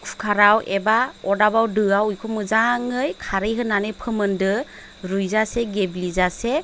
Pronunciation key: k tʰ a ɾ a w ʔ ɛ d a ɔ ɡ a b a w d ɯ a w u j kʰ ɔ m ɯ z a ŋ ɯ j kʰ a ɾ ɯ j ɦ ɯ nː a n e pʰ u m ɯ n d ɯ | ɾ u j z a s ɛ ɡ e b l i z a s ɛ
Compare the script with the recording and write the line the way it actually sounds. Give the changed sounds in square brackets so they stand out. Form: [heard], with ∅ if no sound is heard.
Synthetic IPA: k [kʰ] a ɾ a w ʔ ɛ [b] a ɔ [d] a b a w d ɯ a w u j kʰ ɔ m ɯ z a ŋ ɯ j kʰ a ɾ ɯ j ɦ ɯ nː a n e pʰ [ɯ] m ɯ n d ɯ | ɾ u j z a s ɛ ɡ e b l i z a s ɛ